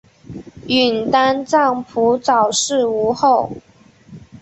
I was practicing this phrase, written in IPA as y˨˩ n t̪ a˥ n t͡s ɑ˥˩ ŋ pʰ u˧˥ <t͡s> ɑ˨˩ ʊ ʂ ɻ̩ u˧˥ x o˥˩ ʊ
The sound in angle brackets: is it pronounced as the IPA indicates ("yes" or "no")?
yes